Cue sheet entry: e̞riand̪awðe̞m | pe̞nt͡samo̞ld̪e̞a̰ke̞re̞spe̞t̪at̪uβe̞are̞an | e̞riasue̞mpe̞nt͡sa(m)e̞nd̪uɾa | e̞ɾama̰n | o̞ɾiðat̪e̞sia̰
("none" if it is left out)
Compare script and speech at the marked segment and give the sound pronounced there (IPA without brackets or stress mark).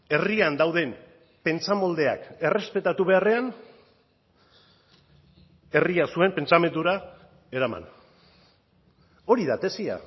m